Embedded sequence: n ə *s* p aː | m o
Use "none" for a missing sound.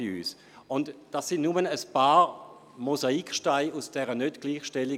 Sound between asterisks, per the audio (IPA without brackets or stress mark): s